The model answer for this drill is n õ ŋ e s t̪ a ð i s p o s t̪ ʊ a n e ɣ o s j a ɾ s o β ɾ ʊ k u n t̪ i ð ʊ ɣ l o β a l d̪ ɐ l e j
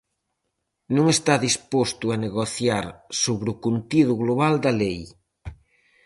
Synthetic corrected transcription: n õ ŋ e s t̪ a ð i s p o s t̪ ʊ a n e ɣ o θ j a ɾ s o β ɾ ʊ k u n t̪ i ð ʊ ɣ l o β a l d̪ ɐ l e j